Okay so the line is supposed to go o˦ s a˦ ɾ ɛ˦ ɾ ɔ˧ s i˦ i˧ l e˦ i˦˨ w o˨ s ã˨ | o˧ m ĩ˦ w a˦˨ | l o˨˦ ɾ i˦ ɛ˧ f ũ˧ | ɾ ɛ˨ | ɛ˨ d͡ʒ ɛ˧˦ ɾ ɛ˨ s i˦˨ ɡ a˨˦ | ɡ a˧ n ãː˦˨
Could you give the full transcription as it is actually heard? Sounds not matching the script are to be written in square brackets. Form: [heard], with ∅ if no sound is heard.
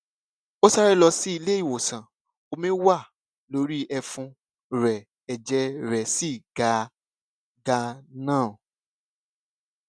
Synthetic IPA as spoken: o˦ s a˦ ɾ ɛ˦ [l] ɔ˧ s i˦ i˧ l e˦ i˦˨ w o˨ s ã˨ | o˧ m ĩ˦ w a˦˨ | l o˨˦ ɾ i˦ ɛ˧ f ũ˧ | ɾ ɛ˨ | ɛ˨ d͡ʒ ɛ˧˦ ɾ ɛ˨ s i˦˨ ɡ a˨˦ | ɡ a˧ n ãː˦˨